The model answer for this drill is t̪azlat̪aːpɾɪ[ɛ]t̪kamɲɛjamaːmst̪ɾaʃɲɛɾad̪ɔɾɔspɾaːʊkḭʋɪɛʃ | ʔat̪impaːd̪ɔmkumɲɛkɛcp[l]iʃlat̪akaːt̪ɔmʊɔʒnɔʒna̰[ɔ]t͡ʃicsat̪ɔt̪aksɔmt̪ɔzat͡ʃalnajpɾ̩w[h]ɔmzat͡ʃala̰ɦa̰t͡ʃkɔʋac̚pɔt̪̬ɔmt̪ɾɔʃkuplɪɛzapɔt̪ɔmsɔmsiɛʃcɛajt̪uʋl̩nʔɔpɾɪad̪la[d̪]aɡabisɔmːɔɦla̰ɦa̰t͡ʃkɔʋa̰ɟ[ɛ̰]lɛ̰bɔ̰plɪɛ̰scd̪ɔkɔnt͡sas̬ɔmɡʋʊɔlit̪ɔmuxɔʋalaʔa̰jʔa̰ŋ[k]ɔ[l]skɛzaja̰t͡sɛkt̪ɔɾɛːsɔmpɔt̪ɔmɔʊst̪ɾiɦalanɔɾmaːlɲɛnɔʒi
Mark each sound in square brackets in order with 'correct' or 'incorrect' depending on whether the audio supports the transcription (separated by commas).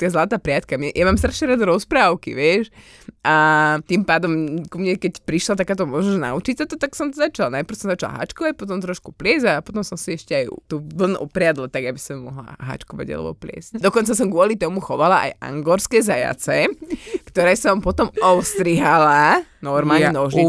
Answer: incorrect, incorrect, incorrect, incorrect, incorrect, incorrect, incorrect, incorrect